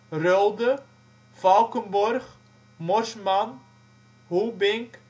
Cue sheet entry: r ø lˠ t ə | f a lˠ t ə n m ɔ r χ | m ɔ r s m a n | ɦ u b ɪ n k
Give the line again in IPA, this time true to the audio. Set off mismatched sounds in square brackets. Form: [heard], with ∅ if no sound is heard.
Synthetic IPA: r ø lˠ [d] ə | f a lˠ [k] ə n [b] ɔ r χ | m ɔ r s m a n | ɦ u b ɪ [ŋ] k

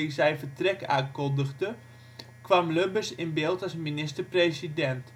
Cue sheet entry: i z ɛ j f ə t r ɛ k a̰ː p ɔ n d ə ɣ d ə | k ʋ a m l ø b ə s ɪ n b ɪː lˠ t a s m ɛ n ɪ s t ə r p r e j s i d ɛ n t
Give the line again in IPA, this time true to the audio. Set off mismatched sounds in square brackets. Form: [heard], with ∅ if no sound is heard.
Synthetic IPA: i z ɛ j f ə t r ɛ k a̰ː [k] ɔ n d ə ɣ d ə | k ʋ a m l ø b ə s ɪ n b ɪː lˠ t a s m [i] n ɪ s t ə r p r e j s i d ɛ n t

